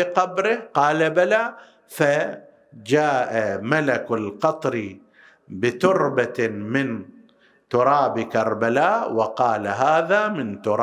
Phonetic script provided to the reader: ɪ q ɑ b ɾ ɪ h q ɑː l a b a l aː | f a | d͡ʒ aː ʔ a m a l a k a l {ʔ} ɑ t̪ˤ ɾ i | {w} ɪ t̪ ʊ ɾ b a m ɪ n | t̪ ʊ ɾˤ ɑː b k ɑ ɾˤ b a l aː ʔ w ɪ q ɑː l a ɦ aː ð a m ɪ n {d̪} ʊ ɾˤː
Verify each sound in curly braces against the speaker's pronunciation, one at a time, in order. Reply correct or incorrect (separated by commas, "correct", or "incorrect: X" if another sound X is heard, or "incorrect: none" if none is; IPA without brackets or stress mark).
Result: incorrect: q, incorrect: b, incorrect: t̪